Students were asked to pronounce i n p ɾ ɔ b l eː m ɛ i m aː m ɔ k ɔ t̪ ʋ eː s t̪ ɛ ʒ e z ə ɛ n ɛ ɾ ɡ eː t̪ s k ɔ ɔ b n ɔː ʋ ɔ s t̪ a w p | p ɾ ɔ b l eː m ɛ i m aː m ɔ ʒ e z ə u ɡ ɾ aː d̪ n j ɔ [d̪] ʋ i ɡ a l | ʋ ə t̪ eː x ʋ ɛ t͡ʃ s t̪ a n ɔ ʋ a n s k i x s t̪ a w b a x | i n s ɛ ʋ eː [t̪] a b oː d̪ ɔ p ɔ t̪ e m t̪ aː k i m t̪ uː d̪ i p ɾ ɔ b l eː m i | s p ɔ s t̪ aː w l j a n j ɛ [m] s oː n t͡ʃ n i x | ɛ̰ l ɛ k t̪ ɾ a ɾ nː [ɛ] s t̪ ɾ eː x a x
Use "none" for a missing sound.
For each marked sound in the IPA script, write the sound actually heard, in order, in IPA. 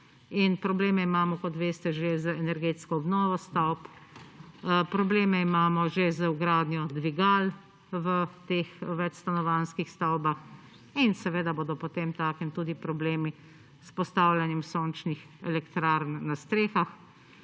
d̪, d̪, m, a

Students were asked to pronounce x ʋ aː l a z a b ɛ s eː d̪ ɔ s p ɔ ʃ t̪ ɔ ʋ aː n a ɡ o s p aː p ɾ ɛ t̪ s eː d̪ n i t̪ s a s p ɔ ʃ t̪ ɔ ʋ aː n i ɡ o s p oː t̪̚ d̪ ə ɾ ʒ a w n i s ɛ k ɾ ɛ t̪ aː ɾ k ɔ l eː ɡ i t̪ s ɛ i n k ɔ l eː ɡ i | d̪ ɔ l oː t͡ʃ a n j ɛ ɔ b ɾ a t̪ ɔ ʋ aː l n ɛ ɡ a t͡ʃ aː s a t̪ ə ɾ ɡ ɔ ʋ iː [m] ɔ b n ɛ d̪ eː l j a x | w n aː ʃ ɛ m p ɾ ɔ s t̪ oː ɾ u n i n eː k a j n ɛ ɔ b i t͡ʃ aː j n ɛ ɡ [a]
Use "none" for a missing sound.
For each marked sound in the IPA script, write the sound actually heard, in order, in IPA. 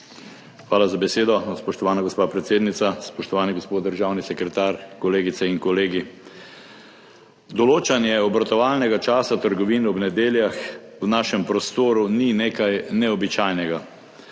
n, a

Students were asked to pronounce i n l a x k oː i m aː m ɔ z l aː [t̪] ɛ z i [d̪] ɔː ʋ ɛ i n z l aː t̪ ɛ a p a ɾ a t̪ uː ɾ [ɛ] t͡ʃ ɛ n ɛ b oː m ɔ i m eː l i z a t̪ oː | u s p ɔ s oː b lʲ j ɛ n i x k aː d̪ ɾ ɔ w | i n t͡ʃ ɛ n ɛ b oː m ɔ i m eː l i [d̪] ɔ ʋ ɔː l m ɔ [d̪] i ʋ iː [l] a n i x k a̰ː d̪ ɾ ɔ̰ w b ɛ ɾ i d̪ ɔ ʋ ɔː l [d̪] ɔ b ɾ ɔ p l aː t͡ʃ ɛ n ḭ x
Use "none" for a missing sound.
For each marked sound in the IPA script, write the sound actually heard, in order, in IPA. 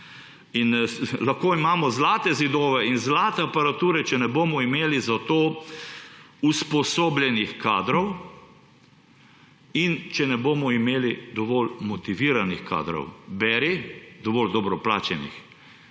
t̪, d̪, ɛ, d̪, t̪, ɾ, d̪

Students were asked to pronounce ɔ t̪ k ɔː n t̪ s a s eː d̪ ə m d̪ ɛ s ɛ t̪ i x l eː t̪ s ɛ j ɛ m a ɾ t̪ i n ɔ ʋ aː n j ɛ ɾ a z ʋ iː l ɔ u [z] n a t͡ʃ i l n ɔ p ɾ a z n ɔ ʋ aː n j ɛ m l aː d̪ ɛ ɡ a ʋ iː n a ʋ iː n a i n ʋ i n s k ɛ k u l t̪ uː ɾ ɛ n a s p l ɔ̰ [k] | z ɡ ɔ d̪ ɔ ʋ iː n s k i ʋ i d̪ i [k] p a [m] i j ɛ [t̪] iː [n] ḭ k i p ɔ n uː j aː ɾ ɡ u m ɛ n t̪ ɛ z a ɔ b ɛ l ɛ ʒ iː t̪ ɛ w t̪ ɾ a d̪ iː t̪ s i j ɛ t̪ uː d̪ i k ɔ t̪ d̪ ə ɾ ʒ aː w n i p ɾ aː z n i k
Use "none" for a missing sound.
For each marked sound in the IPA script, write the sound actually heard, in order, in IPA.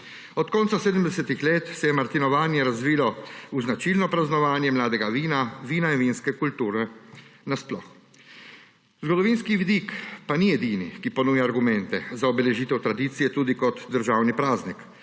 z, x, k, n, d̪, n

